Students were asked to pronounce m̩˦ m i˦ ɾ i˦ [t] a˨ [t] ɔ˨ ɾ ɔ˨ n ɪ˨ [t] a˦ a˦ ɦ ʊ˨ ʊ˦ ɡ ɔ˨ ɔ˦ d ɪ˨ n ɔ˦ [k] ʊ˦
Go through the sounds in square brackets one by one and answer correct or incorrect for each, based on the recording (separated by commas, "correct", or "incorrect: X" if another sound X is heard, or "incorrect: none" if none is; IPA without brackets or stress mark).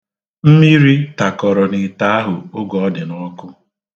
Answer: correct, incorrect: k, correct, correct